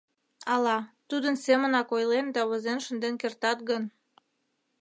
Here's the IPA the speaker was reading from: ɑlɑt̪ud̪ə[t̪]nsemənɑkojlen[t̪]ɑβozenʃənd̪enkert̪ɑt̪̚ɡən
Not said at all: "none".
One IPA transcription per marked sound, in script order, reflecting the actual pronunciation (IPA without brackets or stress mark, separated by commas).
none, d̪